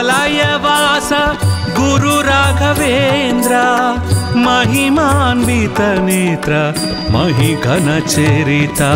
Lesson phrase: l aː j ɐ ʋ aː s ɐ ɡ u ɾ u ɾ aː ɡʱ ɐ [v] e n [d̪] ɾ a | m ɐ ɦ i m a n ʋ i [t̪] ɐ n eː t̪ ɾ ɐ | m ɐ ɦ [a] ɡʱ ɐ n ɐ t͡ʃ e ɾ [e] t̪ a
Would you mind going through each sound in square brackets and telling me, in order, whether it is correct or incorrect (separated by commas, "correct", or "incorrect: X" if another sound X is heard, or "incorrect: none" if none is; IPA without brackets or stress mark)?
incorrect: ʋ, correct, correct, incorrect: i, incorrect: i